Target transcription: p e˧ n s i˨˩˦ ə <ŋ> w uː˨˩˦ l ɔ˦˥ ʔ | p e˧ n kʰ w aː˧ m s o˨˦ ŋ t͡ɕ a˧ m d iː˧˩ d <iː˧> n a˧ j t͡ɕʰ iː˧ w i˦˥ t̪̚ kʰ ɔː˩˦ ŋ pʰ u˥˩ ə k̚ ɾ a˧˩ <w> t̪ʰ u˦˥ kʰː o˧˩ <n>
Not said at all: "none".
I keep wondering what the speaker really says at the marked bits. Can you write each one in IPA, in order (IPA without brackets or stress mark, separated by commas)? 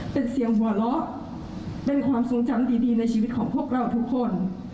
ŋ, iː˧, w, n